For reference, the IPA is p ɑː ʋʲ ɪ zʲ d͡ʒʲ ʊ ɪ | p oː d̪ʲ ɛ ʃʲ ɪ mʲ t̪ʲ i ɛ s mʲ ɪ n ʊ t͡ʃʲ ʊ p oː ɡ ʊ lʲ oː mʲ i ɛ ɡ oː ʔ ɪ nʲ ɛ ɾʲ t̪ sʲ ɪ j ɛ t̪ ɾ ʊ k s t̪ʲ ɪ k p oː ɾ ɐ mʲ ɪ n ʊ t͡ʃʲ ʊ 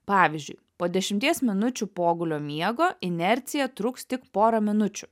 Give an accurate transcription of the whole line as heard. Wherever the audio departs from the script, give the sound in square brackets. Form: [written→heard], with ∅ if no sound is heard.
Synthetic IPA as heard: p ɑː ʋʲ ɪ zʲ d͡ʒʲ ʊ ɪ | p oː d̪ʲ ɛ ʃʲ ɪ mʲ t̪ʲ i ɛ s mʲ ɪ n ʊ t͡ʃʲ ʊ p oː ɡ ʊ lʲ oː mʲ i ɛ ɡ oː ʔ ɪ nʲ ɛ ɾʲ t̪ sʲ ɪ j ɛ t̪ ɾ ʊ k s t̪ʲ ɪ k p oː ɾ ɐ mʲ ɪ n ʊ t͡ʃʲ ʊ